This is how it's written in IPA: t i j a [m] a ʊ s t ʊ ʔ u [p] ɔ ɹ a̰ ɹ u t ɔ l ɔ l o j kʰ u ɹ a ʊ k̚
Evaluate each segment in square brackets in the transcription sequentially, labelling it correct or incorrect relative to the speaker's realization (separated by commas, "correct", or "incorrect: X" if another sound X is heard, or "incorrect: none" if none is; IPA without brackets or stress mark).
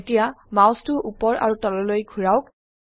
correct, correct